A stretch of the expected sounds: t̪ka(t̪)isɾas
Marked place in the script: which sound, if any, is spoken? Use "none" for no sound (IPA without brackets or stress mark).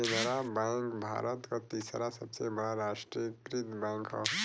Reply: t̪